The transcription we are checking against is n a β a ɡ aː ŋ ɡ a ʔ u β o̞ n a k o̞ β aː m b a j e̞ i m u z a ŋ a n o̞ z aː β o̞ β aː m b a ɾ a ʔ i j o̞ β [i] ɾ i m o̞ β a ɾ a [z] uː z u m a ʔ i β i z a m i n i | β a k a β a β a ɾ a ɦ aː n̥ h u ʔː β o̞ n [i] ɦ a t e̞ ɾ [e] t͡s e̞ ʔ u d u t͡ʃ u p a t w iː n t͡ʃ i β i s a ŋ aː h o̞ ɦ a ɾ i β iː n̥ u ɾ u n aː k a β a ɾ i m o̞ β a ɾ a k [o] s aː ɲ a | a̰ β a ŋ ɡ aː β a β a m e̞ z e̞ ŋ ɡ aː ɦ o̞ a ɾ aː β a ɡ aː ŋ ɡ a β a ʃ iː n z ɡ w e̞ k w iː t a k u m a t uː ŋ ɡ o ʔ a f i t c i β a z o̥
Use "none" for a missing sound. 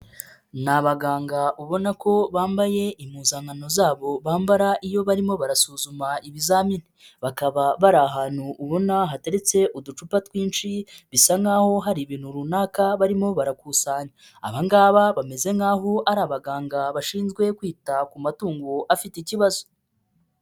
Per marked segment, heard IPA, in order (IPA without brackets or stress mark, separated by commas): a, s, a, e, u